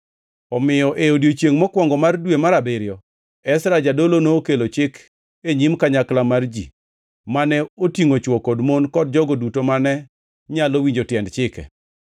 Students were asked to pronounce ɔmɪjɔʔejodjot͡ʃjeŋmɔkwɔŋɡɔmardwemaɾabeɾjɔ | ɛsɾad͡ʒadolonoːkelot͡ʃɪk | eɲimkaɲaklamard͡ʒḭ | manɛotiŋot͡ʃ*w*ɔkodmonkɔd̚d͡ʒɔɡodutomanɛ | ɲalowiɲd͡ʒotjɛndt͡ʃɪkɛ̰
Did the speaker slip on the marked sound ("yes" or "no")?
no